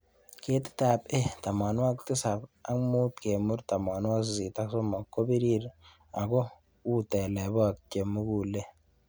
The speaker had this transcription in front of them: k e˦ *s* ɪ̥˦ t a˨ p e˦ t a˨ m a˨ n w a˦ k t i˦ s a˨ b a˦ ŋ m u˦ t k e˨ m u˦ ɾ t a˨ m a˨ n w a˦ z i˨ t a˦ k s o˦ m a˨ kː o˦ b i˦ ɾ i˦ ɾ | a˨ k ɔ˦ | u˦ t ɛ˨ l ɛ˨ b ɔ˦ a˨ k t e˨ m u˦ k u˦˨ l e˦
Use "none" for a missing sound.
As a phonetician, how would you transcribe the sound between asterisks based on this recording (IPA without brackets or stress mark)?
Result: t